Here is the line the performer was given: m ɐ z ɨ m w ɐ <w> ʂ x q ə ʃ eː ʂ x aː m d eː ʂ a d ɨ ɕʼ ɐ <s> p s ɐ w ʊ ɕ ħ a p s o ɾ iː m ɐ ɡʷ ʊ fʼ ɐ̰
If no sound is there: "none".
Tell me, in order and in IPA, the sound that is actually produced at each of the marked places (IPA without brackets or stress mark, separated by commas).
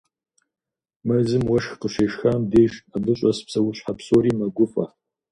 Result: none, s